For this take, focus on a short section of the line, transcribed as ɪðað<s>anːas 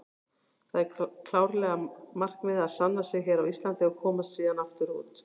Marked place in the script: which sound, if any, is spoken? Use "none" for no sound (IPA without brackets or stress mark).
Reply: s